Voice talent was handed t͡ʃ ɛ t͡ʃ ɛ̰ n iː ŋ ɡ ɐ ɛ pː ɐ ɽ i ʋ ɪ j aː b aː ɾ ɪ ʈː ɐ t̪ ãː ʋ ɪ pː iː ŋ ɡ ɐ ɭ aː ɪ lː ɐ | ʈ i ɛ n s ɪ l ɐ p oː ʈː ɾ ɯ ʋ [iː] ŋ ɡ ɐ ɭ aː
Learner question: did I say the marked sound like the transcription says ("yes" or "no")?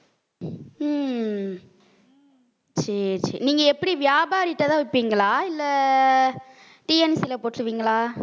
yes